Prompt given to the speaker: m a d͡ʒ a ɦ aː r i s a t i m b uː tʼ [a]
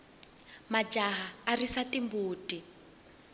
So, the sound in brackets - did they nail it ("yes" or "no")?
no